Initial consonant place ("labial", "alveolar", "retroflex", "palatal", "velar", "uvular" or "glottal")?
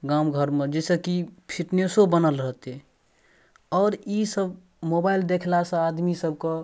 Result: velar